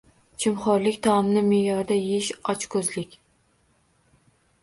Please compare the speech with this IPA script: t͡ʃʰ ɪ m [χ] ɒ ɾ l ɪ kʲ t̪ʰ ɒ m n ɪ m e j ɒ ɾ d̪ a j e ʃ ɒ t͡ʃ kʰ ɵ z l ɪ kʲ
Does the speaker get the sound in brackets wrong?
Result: no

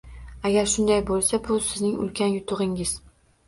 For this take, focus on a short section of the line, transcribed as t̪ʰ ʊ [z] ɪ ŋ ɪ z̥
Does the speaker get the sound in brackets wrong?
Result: yes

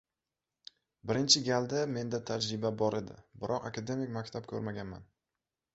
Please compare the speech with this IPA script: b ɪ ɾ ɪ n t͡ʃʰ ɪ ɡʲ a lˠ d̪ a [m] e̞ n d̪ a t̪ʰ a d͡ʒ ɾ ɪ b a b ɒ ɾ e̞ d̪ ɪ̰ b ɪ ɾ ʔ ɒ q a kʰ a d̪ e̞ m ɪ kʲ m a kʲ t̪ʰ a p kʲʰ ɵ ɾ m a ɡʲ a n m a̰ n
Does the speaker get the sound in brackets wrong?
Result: no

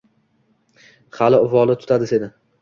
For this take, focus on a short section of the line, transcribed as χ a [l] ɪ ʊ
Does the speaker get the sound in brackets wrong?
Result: no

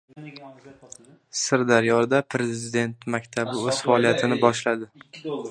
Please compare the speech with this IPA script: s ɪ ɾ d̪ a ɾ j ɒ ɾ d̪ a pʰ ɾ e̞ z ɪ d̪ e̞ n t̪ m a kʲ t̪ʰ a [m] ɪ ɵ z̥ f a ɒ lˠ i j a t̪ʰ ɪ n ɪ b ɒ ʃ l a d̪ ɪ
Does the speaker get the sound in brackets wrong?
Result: yes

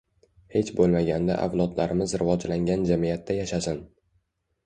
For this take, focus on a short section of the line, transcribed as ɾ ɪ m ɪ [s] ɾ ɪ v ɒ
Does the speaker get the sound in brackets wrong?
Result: yes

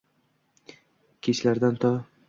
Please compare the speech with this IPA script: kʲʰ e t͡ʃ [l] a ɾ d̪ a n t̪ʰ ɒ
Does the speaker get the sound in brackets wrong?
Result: no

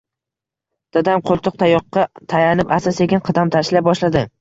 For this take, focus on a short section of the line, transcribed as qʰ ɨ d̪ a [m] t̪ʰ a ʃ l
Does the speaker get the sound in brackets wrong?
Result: no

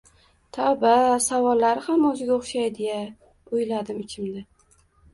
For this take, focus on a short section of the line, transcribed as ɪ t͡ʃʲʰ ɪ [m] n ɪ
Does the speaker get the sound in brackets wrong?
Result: no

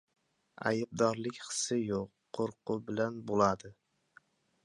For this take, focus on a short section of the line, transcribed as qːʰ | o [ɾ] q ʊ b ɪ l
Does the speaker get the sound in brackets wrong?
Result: no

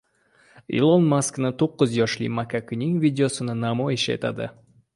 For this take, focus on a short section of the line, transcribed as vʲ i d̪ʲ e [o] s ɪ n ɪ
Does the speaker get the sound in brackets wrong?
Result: no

